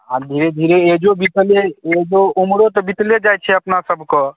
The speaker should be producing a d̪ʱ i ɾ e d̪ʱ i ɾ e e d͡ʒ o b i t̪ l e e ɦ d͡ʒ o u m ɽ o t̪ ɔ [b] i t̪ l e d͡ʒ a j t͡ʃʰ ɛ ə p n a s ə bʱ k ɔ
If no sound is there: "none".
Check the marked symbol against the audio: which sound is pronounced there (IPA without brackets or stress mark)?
b